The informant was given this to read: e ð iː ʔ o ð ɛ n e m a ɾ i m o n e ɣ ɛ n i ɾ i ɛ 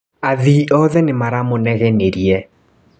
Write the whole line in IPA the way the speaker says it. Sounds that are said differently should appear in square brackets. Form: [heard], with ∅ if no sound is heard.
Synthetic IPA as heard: [a] ð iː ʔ [ɔ] ð ɛ n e m a ɾ [a] m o n [ɛ] ɣ ɛ n [e] ɾ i ɛ